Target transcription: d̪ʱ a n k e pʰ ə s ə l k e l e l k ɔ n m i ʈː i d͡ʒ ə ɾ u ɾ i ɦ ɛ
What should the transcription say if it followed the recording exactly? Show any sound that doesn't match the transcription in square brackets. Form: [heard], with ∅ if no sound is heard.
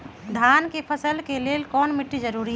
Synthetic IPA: d̪ʱ a n k e pʰ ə s ə l k e l e l k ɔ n m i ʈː i d͡ʒ ə ɾ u ɾ i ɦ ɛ